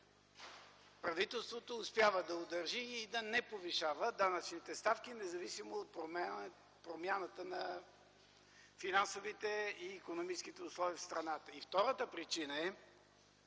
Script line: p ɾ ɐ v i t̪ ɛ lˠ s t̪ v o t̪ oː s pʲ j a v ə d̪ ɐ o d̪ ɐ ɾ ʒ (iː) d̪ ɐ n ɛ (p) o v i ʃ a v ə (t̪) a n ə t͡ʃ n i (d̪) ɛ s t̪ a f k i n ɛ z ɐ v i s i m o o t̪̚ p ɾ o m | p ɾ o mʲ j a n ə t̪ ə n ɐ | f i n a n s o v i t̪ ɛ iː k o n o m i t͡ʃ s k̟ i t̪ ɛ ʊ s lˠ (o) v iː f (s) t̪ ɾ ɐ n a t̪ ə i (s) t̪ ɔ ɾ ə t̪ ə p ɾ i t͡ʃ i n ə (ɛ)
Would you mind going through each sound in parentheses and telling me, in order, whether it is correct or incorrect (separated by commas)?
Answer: correct, correct, incorrect, incorrect, incorrect, correct, incorrect, correct